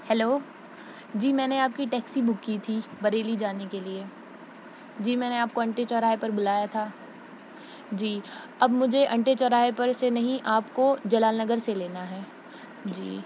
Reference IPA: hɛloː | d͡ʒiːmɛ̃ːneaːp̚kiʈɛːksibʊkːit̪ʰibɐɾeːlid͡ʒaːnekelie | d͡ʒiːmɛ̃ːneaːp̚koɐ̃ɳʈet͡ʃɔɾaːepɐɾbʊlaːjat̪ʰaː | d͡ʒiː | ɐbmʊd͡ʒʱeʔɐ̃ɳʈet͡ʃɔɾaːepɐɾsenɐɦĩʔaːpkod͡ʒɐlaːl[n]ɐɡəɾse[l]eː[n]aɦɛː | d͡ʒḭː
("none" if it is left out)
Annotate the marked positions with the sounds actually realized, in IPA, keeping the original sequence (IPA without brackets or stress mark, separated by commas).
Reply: n, l, n